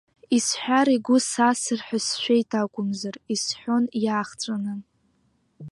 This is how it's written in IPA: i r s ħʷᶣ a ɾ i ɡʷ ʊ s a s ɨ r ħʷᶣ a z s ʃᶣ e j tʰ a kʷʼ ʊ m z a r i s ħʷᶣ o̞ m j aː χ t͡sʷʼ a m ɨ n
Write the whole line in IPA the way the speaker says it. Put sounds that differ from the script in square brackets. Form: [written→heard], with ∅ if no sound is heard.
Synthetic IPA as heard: i [r→∅] s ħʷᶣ a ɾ i ɡʷ ʊ s a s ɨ r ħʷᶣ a [z→∅] s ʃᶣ e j tʰ a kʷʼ ʊ m z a r i s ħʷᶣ o̞ [m→n] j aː χ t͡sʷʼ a [m→n] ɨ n